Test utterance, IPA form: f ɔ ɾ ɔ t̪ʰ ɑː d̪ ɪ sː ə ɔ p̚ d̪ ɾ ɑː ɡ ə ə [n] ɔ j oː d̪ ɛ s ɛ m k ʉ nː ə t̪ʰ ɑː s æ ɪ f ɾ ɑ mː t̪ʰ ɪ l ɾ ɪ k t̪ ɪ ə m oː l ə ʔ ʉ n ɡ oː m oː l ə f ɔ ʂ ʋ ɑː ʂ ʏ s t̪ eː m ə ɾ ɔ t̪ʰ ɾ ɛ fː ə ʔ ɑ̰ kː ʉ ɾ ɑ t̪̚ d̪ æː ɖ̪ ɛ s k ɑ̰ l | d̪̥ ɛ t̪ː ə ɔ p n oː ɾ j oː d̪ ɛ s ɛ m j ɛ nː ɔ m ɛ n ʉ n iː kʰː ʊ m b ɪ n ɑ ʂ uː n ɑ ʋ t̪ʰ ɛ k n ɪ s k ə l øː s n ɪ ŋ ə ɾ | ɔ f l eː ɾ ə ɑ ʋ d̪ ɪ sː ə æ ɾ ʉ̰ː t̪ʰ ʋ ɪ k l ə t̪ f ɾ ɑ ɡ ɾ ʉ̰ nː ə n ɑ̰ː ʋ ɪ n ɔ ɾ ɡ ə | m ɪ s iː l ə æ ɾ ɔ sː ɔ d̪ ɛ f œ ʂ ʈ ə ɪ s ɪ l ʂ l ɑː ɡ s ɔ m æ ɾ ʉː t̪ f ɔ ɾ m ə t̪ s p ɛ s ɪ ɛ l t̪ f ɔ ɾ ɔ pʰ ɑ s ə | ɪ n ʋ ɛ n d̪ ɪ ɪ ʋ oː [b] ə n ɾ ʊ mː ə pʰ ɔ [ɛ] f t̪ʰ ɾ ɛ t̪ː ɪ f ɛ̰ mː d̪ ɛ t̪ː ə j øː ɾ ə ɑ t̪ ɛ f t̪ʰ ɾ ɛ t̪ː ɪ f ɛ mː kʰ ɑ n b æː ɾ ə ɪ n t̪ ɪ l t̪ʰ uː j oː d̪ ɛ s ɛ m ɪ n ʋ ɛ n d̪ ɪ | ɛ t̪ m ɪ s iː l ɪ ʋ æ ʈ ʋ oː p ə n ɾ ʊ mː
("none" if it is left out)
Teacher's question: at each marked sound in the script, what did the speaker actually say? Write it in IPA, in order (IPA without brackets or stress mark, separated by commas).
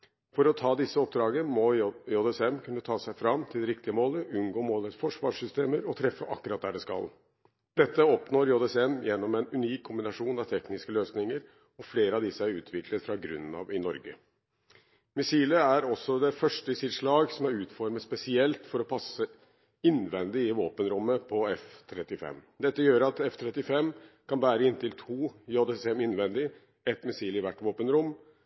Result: m, p, ɛ